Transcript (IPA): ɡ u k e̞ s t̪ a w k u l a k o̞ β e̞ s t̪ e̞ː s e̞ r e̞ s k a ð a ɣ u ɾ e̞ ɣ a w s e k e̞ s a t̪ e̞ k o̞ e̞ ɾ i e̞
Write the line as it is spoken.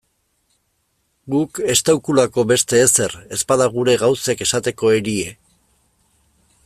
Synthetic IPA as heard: ɡ u k e̞ s t̪ a w k u l a k o̞ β e̞ s t̪ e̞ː s e̞ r e̞ s p a ð a ɣ u ɾ e̞ ɣ a w s e k e̞ s a t̪ e̞ k o̞ e̞ ɾ i e̞